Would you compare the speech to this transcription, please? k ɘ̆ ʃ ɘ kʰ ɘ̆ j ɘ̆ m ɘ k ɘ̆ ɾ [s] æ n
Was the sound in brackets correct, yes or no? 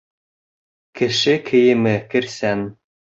yes